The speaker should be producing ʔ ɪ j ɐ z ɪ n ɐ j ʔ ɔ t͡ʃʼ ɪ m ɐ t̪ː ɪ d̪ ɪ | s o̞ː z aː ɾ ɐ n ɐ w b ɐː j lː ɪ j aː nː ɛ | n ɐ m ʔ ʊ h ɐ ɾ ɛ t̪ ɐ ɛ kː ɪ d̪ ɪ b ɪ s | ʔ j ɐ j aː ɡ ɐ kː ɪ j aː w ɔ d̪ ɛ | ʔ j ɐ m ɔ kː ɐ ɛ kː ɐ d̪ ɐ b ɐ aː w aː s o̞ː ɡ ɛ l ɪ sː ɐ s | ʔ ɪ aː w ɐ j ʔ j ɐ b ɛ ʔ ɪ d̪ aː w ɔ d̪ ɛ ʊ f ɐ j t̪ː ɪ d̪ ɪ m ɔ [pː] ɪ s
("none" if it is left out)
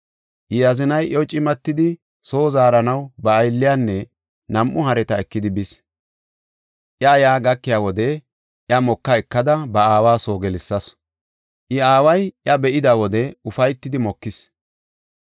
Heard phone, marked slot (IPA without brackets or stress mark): kː